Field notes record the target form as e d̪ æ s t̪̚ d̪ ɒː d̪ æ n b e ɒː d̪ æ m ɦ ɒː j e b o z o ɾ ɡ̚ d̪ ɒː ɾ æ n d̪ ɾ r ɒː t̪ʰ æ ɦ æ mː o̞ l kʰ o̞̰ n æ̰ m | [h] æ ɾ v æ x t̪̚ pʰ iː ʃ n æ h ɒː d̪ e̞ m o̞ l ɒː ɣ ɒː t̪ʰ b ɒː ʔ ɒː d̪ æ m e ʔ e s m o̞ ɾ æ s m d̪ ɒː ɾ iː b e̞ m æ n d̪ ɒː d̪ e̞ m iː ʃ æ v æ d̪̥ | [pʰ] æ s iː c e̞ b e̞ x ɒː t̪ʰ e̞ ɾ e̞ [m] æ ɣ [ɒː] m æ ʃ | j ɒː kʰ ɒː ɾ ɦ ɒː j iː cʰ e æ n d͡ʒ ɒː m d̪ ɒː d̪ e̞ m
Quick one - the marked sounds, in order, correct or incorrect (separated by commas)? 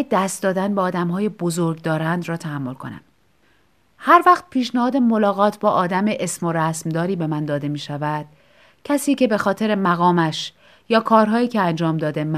correct, incorrect, correct, correct